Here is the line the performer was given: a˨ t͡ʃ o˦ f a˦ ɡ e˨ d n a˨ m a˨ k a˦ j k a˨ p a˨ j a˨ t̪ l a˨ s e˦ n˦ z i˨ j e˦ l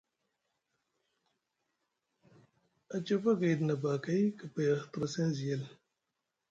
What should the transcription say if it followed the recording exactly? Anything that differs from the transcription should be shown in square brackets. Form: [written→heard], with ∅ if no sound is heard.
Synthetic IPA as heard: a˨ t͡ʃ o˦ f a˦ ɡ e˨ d n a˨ [m→b] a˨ k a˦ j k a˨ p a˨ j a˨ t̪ [l→ɾ] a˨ s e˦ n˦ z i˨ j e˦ l